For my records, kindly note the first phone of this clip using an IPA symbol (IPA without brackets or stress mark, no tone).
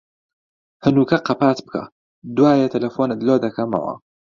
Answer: h